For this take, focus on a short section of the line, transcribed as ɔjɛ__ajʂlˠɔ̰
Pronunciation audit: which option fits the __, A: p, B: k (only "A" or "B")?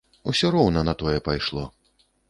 A